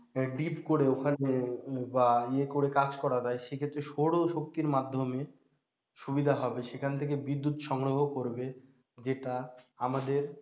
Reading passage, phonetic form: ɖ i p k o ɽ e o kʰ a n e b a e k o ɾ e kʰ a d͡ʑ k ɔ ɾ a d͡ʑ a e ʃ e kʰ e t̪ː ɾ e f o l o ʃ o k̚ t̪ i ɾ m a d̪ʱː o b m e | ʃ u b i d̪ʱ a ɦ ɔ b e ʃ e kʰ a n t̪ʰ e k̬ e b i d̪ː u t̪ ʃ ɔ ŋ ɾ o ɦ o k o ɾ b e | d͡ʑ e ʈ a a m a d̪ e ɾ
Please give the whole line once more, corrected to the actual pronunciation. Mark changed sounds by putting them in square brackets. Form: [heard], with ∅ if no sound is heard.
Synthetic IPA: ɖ i p k o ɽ e o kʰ a n e b a e k o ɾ e [k] a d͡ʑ k ɔ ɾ a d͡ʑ a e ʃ e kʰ e t̪ː ɾ e [ʃ] o [ɽ] o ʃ o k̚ t̪ i ɾ m a d̪ʱː o [∅] m e | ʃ u b i d̪ʱ a ɦ ɔ b e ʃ e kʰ a n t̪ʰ e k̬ e b i d̪ː u t̪ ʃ ɔ ŋ ɾ o ɦ o k o ɾ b e | d͡ʑ e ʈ a a m a d̪ e ɾ